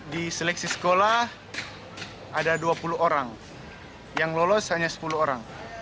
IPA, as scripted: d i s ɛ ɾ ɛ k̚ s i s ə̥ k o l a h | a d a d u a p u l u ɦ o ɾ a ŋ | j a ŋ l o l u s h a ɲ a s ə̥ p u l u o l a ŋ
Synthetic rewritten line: d i s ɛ l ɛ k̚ s i s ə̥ k o l a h | a d a d u a p u l u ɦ o ɾ a ŋ | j a ŋ l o l ɔ s h a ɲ a s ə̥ p u l u o ɾ a ŋ

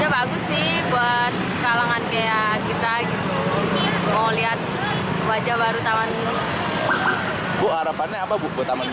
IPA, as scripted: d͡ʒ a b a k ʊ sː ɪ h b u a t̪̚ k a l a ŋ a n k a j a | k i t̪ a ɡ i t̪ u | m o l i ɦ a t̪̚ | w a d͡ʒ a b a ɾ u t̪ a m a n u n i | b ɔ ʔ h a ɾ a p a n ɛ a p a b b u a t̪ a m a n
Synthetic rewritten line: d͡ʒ a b a ɡ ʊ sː ɪ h b u a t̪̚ k a l a ŋ a n k a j a | k i t̪ a ɡ i t̪ u | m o l i ɦ a t̪̚ | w a d͡ʒ a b a ɾ u t̪ a m a n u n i | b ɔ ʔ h a ɾ a p a n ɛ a p a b b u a t̪ a m a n

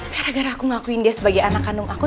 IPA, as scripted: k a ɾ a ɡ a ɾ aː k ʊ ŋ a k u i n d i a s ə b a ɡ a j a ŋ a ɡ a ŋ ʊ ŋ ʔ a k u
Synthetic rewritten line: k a ɾ a ɡ a ɾ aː k u ŋ a k u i n d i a s ə b a ɡ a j a n a k a n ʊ ŋ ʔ a k u

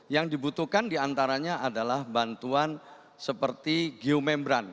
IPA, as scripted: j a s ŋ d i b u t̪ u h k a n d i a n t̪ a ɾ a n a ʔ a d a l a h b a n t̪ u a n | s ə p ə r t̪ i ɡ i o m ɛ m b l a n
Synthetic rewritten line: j a ŋ d i b u t̪ u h k a n d i a n t̪ a ɾ a ɲ a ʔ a d a l a h b a n t̪ u a n | s ə p ə r t̪ i ɡ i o m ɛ m b ɾ a n

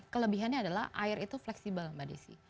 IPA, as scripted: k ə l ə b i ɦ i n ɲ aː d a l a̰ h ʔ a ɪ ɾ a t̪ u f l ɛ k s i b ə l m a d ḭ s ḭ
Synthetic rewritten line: k ə l ə b i ɦ a n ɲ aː d a l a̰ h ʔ a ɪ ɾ i t̪ u f l ɛ k s i b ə l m a d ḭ s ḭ

